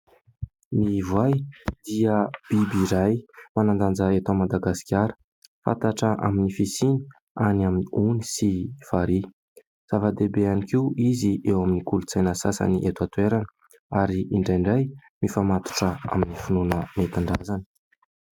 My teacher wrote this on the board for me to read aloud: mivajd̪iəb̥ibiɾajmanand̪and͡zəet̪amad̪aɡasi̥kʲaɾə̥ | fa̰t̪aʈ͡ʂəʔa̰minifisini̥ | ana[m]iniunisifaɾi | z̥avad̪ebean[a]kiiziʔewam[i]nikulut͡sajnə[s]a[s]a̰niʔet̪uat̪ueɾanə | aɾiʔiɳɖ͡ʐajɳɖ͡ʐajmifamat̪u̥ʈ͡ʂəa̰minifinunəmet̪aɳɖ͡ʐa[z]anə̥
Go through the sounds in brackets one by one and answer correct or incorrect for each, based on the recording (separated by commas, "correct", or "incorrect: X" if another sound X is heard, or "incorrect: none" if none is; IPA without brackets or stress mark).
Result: correct, incorrect: i, correct, correct, correct, correct